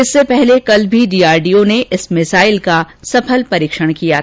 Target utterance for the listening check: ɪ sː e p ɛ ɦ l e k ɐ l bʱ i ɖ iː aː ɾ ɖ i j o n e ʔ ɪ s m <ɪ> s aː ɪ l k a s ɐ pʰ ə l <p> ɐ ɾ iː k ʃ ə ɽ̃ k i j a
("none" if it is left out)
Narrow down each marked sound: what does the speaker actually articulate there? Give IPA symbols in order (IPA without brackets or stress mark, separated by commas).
ɪ, p